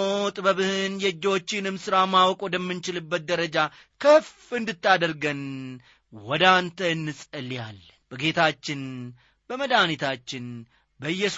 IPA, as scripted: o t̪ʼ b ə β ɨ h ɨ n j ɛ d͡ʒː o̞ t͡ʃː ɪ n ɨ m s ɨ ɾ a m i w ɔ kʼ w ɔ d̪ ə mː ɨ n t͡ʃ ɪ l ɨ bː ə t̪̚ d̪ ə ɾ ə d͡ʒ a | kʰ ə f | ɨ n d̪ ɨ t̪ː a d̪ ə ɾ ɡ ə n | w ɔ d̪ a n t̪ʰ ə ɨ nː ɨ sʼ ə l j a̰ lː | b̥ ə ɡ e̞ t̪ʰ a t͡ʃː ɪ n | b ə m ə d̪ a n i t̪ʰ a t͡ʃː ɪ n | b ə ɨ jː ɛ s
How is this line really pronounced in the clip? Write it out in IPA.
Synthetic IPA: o t̪ʼ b ə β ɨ h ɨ n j ɛ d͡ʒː o̞ t͡ʃː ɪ n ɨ m s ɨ ɾ a m a w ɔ kʼ w ɔ d̪ ə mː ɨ n t͡ʃ ɪ l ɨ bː ə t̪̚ d̪ ə ɾ ə d͡ʒ a | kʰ ə f | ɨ n d̪ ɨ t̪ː a d̪ ə ɾ ɡ ə n | w ɔ d̪ a n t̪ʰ ə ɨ nː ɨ sʼ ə l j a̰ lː | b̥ ə ɡ e̞ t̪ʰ a t͡ʃː ɪ n | b ə m ə d̪ a n i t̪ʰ a t͡ʃː ɪ n | b ə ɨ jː ɛ s